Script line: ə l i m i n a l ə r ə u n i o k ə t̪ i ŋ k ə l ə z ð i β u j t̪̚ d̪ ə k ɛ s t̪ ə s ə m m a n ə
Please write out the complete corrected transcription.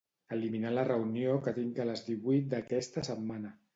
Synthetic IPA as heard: ə l i m i n a l ə r ə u n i o k ə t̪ i ŋ k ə l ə z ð i β u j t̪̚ d̪ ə k ɛ s t̪ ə s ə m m a n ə